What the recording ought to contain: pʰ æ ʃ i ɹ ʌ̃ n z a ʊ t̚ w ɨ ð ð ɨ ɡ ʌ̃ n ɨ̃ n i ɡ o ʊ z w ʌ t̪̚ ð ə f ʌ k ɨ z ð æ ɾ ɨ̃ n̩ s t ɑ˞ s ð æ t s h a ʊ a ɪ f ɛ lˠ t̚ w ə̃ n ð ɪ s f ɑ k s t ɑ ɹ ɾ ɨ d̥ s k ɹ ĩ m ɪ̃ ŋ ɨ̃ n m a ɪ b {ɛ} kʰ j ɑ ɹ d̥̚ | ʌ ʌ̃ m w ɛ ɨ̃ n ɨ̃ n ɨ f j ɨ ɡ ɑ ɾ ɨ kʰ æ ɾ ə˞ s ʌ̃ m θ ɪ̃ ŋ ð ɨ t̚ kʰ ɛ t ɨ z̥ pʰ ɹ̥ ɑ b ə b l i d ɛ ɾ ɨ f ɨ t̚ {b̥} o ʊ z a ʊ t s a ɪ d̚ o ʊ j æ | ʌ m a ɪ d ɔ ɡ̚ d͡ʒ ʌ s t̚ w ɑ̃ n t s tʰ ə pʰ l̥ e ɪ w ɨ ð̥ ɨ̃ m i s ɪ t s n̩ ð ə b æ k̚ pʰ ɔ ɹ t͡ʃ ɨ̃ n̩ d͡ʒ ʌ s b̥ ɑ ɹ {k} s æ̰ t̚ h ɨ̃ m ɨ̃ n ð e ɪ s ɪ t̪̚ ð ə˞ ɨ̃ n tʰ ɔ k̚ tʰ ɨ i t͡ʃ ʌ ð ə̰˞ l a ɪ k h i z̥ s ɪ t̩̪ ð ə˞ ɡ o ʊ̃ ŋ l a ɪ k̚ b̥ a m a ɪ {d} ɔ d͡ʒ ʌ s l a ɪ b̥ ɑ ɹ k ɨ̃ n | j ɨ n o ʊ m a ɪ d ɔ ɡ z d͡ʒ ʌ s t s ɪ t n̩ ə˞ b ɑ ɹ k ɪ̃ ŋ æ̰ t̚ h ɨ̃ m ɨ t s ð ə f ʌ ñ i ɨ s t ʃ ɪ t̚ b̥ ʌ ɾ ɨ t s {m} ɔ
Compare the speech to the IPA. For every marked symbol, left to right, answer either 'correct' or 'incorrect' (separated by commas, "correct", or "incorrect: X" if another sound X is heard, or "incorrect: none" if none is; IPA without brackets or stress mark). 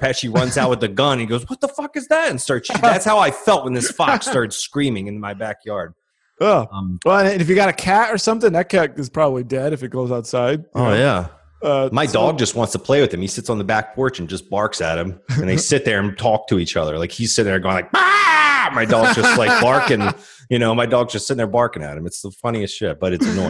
incorrect: æ, incorrect: ɡ̥, correct, correct, incorrect: n